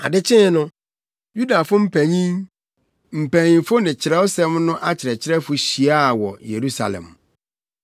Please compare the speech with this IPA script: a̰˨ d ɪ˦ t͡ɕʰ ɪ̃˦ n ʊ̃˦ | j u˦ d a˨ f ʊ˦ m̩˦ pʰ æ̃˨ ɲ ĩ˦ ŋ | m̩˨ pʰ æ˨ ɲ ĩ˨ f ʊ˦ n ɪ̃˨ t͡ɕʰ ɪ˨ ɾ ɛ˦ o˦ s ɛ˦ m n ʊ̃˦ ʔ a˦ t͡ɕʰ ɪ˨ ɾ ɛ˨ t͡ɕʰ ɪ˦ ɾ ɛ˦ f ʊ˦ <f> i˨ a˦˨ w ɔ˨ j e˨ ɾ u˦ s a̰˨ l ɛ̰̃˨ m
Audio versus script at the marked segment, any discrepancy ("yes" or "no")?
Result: yes